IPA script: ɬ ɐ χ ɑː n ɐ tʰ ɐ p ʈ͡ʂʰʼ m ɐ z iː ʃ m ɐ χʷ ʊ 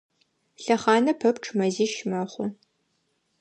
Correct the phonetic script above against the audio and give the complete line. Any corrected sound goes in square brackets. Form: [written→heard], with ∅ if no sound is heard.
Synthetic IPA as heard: ɬ ɐ χ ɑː n ɐ [tʰ→pʰ] ɐ p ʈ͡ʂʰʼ m ɐ z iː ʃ m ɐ χʷ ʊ